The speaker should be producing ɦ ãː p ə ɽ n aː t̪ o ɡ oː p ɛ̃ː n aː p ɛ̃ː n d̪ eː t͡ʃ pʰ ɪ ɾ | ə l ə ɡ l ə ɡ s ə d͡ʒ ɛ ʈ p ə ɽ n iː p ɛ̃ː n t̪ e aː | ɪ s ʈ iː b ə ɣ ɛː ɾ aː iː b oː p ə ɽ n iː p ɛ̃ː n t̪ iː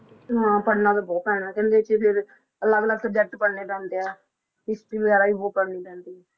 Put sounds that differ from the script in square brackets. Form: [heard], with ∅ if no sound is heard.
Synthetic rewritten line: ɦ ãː p ə ɽ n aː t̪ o [b] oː p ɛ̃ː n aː [k] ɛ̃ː n d̪ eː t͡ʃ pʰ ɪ ɾ | ə l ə ɡ l ə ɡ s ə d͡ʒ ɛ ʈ p ə ɽ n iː p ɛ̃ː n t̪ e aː | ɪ s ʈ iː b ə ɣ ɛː ɾ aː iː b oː p ə ɽ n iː p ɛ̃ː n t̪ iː